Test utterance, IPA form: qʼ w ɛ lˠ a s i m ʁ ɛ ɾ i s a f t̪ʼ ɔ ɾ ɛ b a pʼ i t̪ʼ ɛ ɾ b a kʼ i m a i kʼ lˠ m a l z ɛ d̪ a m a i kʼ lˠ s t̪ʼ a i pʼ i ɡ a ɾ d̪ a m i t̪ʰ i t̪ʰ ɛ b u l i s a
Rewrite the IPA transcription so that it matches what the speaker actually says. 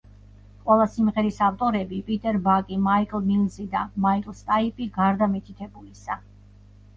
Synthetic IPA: qʼ w ɛ lˠ a s i m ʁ ɛ ɾ i s a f t̪ʼ ɔ ɾ ɛ b i pʼ i t̪ʼ ɛ ɾ b a kʼ i m a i kʼ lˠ m i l z i d̪ a m a i kʼ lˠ s t̪ʼ a i pʼ i ɡ a ɾ d̪ a m i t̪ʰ i t̪ʰ ɛ b u l i s a